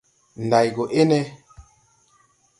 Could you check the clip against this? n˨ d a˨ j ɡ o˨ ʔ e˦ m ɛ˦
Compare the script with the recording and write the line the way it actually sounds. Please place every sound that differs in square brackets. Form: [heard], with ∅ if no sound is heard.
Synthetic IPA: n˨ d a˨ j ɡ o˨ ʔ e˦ [n] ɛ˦